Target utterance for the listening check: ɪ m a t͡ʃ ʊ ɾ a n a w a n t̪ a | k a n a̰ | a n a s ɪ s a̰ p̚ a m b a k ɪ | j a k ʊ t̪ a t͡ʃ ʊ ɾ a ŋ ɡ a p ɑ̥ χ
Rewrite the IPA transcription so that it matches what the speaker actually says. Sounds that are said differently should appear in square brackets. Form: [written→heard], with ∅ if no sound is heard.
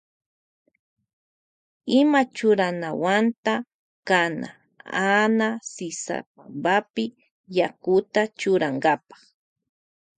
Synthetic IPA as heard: ɪ m a t͡ʃ ʊ ɾ a n a w a n t̪ a | k a n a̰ | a n a s ɪ s a̰ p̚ a m b a [k→p] ɪ | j a k ʊ t̪ a t͡ʃ ʊ ɾ a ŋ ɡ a p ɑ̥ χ